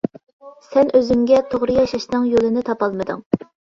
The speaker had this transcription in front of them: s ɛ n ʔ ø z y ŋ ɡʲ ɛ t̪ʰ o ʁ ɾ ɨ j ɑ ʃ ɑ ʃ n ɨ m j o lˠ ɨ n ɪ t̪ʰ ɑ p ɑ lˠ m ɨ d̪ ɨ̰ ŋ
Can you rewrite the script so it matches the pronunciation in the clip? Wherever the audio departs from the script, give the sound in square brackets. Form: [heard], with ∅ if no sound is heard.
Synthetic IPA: s ɛ n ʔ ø z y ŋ ɡʲ ɛ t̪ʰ o ʁ ɾ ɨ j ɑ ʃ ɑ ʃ n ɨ [ŋ] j o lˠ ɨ n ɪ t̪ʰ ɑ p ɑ lˠ m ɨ d̪ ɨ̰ ŋ